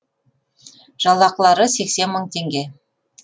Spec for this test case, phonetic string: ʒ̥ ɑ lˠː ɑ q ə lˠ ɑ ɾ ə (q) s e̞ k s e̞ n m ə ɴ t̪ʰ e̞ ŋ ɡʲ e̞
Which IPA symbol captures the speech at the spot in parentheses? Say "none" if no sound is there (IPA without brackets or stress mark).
none